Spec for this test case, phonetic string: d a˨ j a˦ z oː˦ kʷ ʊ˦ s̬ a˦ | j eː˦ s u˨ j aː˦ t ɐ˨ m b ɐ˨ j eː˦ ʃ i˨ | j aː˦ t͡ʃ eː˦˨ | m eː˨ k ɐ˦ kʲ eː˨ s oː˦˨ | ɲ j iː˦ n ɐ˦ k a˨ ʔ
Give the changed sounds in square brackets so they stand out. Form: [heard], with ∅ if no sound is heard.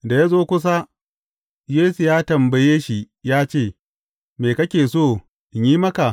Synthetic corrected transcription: d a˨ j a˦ z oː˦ kʷ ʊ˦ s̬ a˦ | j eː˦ s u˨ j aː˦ t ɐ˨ m b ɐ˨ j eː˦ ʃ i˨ | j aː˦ t͡ʃ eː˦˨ | m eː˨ k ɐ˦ kʲ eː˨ s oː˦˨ | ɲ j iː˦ [m] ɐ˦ k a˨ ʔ